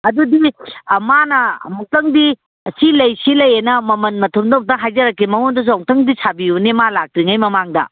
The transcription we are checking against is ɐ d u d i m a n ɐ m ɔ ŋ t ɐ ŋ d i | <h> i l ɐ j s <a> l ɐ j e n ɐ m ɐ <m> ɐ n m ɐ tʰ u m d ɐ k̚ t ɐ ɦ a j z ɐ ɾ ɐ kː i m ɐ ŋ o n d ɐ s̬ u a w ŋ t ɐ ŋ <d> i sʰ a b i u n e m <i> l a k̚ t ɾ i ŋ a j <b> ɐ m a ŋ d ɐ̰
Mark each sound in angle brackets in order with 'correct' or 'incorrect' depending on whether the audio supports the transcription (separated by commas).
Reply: incorrect, incorrect, correct, correct, incorrect, incorrect